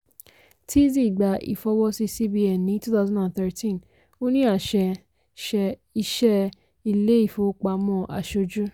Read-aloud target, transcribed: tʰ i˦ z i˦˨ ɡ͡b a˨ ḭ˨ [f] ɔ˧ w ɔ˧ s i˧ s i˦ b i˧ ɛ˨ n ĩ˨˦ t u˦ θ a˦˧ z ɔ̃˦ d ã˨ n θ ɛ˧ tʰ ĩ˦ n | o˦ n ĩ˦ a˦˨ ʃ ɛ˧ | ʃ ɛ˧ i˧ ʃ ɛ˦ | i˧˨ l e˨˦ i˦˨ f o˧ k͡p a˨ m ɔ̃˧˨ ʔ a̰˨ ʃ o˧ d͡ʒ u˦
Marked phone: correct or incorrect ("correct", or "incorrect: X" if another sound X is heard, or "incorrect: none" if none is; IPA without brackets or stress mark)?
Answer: correct